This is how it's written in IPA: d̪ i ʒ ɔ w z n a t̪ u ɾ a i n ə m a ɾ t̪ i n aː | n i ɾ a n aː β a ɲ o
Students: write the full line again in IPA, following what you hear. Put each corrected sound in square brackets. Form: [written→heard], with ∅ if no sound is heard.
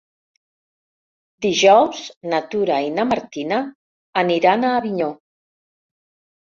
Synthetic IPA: d̪ i ʒ ɔ w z n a t̪ u ɾ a i n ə m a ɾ t̪ i n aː | n i ɾ a n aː β [a→i] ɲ o